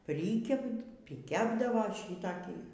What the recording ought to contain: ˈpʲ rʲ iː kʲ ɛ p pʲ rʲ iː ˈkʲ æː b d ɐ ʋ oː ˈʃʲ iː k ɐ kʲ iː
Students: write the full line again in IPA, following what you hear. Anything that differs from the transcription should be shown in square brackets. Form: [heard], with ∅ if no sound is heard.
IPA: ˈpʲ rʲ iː kʲ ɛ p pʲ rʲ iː ˈkʲ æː b d ɐ ʋ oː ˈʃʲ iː [t] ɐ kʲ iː